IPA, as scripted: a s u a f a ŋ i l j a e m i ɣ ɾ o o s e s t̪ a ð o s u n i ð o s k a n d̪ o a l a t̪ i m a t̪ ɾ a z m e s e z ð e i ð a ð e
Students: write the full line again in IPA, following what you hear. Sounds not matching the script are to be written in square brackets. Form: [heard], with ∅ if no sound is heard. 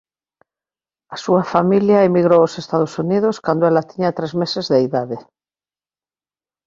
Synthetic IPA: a s u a f a [m] i l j a e m i ɣ ɾ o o s e s t̪ a ð o s u n i ð o s k a n d̪ o [e] l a t̪ i [ɲ] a t̪ ɾ [e] z m e s e z ð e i ð a ð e